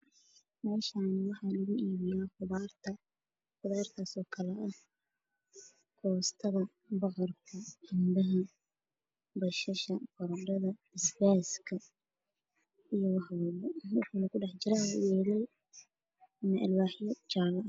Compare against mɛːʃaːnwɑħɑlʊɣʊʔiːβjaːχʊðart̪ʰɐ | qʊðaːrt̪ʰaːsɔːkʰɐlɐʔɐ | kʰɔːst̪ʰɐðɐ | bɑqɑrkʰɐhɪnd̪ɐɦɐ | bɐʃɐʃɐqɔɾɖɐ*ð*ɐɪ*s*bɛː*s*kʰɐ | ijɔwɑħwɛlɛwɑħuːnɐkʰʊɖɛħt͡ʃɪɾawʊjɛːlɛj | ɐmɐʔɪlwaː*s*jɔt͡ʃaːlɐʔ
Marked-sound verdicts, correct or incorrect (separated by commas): correct, correct, correct, incorrect